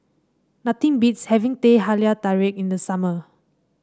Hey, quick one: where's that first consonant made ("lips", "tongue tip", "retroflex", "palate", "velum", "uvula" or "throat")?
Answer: tongue tip